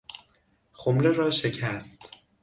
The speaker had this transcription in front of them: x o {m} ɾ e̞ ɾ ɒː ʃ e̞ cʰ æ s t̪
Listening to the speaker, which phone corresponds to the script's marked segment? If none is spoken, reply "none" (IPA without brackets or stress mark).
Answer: m